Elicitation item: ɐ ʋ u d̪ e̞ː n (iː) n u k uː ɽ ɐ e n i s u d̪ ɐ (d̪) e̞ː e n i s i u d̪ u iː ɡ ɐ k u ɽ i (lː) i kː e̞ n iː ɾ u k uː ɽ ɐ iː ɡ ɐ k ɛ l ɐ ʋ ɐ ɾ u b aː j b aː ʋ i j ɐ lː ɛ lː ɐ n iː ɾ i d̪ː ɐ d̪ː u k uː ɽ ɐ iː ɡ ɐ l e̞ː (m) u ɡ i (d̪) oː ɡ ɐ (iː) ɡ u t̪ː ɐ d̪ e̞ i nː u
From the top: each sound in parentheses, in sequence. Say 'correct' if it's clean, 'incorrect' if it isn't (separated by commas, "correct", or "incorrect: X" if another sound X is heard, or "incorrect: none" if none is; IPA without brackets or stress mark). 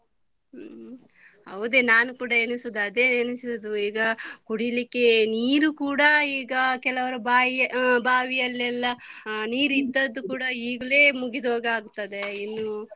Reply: incorrect: aː, correct, incorrect: l, correct, correct, incorrect: aː